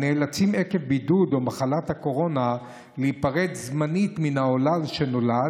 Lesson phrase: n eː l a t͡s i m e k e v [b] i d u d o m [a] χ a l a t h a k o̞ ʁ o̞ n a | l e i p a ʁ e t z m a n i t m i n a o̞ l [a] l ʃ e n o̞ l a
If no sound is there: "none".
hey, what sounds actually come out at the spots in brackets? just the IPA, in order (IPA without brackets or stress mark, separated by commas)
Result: b, a, a